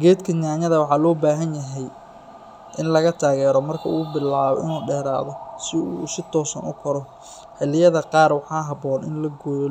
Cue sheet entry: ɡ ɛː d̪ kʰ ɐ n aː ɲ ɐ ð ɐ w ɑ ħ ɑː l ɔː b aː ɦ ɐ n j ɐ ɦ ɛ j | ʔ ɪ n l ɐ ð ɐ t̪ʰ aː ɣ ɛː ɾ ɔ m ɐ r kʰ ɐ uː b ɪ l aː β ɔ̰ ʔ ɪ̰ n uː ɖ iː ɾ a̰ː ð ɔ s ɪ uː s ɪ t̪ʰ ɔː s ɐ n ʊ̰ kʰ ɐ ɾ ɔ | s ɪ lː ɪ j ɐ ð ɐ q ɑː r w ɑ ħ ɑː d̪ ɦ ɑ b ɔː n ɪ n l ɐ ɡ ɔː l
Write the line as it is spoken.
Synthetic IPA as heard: ɡ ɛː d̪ kʰ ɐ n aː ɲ ɐ ð ɐ w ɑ ħ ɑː l ɔː b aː ɦ ɐ n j ɐ ɦ ɛ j | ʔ ɪ n l ɐ ɣ ɐ t̪ʰ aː ɣ ɛː ɾ ɔ m ɐ r kʰ ɐ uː b ɪ l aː β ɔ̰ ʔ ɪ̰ n uː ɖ ɛː ɾ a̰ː ð ɔ s ɪ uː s ɪ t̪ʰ ɔː s ɐ n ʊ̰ kʰ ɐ ɾ ɔ | ħ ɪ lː ɪ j ɐ ð ɐ q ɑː r w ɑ ħ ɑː ɦ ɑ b ɔː n ɪ n l ɐ ɡ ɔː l